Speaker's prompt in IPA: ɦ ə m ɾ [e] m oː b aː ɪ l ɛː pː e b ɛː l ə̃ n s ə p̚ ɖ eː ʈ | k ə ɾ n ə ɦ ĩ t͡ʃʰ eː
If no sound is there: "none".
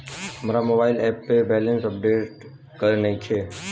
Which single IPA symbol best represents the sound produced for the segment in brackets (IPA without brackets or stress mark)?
a